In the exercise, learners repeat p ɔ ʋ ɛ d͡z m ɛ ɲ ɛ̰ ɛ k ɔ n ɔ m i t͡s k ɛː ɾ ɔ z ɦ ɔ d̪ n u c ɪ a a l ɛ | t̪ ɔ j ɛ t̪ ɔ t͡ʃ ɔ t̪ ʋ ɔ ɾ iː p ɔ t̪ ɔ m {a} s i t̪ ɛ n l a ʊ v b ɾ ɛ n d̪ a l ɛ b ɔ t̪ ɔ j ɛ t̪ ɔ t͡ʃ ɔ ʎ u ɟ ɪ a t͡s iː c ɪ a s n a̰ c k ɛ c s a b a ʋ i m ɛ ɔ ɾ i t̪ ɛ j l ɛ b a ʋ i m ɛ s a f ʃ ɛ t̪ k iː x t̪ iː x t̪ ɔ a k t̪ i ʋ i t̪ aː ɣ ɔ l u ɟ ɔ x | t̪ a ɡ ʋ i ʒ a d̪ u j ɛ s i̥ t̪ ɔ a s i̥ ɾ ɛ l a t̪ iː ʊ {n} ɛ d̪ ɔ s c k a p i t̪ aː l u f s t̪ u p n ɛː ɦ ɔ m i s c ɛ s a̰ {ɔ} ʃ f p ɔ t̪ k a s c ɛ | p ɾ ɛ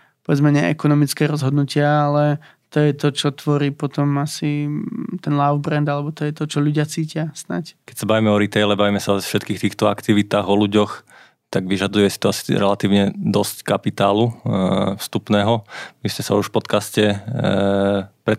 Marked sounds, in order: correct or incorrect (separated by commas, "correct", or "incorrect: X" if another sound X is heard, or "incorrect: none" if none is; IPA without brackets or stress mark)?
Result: correct, incorrect: ɲ, incorrect: u